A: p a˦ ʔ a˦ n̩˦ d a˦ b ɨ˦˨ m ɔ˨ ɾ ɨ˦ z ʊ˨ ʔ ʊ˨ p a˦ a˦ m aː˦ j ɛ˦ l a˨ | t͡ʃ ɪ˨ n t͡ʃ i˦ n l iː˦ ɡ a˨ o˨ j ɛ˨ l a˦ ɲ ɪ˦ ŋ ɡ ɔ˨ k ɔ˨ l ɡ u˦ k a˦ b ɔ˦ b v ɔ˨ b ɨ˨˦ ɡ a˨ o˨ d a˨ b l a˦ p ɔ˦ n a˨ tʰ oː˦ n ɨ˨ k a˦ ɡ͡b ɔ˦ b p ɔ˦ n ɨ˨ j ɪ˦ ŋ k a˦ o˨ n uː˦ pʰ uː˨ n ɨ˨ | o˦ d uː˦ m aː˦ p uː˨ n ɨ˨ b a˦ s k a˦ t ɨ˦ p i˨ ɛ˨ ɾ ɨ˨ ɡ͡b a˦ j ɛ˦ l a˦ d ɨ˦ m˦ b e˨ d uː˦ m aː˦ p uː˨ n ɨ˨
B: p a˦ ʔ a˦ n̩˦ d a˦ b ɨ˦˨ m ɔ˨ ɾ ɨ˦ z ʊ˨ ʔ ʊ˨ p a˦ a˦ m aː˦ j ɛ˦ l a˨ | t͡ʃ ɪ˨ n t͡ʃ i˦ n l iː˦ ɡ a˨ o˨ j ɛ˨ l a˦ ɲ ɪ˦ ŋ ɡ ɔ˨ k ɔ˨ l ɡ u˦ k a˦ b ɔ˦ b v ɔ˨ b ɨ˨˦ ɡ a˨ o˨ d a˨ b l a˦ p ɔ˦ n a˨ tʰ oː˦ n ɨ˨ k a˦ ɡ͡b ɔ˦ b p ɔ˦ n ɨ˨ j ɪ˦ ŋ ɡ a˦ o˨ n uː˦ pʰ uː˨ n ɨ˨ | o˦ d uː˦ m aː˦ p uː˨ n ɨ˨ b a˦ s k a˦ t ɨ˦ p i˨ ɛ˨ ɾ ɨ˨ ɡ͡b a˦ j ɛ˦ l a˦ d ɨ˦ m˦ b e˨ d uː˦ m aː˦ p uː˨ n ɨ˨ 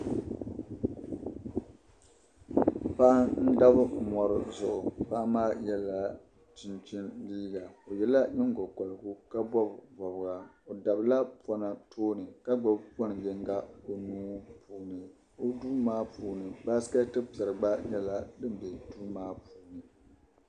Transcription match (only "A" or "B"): B